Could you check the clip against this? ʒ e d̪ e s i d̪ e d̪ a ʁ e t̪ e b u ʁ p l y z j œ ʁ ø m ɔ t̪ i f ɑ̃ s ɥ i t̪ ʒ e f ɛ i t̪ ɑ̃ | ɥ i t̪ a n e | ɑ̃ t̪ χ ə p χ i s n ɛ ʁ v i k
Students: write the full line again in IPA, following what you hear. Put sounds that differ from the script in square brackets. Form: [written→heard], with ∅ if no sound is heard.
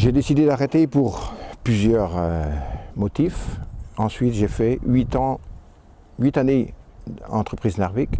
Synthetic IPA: ʒ e d̪ e s i d̪ e d̪ a ʁ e t̪ e [b→p] u ʁ p l y z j œ ʁ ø m ɔ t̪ i f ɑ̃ s ɥ i t̪ ʒ e f ɛ i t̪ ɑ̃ | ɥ i t̪ a n e | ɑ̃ t̪ χ ə p χ i [s→z] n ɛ ʁ v i k